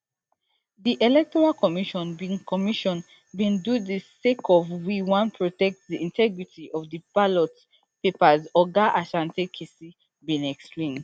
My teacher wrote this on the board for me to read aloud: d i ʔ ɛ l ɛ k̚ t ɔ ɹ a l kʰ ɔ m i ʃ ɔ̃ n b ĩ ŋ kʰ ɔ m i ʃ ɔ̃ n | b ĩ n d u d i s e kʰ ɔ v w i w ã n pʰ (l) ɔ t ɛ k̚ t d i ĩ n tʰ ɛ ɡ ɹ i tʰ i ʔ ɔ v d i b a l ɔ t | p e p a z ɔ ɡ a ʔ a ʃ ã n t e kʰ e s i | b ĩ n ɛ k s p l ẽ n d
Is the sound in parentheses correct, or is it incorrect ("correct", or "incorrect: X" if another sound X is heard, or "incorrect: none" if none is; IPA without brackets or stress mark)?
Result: incorrect: ɹ